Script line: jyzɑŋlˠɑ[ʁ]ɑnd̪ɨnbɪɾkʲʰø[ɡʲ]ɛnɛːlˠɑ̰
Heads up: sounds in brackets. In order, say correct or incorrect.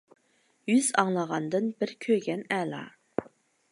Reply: correct, correct

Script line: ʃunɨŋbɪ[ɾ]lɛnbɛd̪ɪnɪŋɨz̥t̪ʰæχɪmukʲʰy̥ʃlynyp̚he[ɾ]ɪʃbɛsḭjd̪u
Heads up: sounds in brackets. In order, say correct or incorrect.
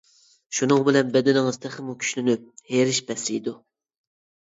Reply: incorrect: none, correct

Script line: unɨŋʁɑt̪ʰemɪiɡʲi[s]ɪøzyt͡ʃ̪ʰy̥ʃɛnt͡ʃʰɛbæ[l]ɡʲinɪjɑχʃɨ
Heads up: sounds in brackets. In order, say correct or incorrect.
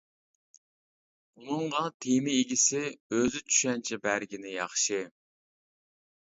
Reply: correct, incorrect: ɾ

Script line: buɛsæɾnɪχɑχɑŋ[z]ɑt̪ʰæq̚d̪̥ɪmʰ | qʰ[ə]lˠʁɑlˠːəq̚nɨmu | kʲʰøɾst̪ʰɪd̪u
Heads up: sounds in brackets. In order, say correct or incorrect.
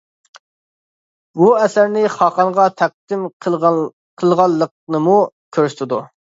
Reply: incorrect: ʁ, correct

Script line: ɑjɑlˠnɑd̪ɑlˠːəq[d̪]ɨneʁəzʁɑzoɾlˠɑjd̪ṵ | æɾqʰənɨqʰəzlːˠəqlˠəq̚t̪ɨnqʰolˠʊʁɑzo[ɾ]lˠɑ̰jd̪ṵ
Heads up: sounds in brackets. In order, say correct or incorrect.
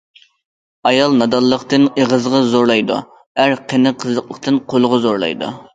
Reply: incorrect: t̪, correct

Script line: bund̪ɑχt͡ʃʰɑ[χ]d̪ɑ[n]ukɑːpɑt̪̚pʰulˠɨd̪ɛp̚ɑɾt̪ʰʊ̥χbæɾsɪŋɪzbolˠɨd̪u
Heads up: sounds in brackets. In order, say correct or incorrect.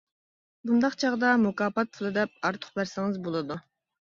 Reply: incorrect: ʁ, incorrect: m

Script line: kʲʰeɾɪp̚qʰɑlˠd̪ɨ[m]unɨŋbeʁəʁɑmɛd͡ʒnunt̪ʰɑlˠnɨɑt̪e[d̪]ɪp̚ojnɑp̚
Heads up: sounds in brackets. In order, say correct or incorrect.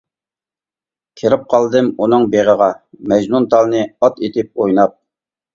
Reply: correct, incorrect: t̪

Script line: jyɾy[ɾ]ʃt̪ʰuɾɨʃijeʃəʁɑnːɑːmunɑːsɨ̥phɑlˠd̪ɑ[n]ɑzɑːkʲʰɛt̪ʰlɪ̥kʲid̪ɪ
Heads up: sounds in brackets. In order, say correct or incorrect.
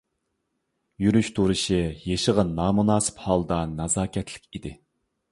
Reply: incorrect: none, correct

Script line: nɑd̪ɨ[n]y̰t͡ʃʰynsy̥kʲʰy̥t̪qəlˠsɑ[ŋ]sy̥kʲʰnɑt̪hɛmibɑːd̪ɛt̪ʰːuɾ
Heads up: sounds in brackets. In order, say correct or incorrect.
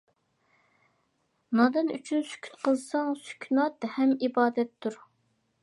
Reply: correct, correct

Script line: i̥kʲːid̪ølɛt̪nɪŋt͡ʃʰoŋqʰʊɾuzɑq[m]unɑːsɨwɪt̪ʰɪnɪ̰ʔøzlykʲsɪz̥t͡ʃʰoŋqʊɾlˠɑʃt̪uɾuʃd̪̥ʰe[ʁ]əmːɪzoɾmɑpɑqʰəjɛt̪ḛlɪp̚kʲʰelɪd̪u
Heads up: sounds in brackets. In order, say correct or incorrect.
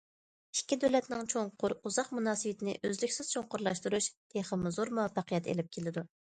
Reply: correct, incorrect: χ

